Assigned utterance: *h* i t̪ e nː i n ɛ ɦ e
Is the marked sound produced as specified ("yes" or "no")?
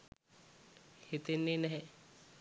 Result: yes